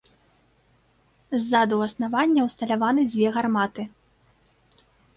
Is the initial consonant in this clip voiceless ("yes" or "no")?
no